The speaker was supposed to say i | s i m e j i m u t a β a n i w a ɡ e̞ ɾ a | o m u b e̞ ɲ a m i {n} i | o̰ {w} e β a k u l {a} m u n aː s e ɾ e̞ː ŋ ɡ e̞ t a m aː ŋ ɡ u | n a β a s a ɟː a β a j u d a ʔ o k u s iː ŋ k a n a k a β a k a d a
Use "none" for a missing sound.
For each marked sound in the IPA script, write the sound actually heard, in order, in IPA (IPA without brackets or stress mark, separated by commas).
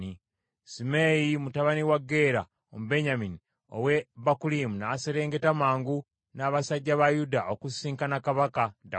n, w, i